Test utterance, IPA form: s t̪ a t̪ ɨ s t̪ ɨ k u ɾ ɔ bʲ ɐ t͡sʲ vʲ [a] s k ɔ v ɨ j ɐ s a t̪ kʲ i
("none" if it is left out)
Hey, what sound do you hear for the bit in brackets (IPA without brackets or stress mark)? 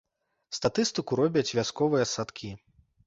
a